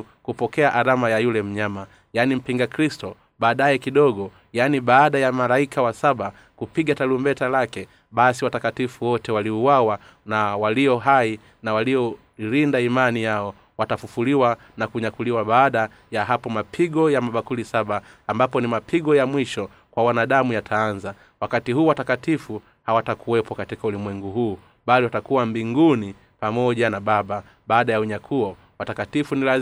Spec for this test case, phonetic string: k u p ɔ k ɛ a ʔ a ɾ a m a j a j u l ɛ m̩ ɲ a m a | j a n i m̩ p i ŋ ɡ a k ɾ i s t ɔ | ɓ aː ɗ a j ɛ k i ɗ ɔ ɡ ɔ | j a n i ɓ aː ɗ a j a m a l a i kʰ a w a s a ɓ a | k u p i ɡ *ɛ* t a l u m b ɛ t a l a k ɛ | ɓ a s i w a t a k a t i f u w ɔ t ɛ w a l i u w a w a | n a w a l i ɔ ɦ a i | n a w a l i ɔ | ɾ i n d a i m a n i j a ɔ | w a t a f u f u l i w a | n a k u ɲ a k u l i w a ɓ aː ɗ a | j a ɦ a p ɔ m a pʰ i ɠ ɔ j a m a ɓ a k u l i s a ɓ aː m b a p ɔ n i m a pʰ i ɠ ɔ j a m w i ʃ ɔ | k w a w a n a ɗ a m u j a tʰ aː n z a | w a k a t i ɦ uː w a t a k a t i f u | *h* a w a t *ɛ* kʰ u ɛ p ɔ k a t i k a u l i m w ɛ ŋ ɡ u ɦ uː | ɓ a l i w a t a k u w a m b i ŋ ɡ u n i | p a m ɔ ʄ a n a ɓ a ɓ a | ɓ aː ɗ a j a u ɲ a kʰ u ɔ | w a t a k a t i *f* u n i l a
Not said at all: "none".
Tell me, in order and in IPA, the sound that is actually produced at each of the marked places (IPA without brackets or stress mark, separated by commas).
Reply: a, h, a, f